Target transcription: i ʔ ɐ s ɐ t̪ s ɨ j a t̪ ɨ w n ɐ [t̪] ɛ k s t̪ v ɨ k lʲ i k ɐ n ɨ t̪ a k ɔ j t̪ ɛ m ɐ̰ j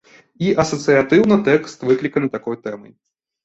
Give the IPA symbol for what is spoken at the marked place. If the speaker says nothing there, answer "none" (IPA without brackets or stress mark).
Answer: t̪